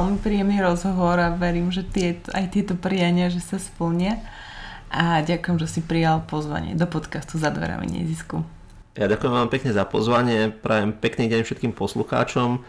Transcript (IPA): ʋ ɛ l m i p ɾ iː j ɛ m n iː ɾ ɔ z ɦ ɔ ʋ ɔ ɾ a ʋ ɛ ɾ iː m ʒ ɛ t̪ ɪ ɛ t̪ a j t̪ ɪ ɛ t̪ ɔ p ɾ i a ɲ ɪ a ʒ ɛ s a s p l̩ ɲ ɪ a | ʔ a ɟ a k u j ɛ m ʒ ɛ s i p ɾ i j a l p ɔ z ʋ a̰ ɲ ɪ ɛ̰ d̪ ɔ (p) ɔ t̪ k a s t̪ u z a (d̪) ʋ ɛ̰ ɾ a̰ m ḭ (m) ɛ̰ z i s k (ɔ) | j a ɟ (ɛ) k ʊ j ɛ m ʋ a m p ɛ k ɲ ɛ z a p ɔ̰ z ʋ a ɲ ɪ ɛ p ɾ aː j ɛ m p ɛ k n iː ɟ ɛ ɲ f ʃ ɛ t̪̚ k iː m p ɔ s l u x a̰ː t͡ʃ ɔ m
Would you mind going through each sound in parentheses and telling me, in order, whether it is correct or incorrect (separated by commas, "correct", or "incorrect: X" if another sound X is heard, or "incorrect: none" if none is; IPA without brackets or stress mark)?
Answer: correct, correct, incorrect: ɲ, incorrect: u, incorrect: a